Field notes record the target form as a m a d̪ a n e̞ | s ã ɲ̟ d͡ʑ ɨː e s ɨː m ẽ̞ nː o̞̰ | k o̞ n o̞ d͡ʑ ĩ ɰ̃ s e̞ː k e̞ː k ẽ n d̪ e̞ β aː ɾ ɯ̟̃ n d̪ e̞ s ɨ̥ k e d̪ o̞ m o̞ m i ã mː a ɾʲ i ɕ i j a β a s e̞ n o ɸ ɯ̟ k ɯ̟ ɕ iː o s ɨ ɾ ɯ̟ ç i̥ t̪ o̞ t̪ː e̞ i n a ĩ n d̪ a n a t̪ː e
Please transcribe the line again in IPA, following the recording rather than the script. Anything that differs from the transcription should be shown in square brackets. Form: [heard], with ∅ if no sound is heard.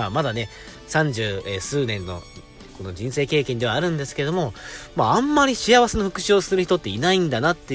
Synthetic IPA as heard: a m a d̪ a n e̞ | s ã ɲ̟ d͡ʑ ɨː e s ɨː [n] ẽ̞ nː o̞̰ | k o̞ n o̞ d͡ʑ ĩ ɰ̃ s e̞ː k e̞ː k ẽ n d̪ e̞ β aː ɾ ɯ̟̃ n d̪ e̞ s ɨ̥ k e d̪ o̞ m o̞ m [a] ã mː a ɾʲ i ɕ i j a β a s e̞ n o ɸ ɯ̟ k ɯ̟ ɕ [i] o s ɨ ɾ ɯ̟ ç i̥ t̪ o̞ t̪ː e̞ i n a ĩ n d̪ a n a t̪ː e